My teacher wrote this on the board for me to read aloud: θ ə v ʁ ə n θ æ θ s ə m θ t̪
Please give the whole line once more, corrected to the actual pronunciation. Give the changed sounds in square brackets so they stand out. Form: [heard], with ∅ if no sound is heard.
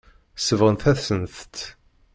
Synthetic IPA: [s] ə v ʁ ə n θ æ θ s ə [n] θ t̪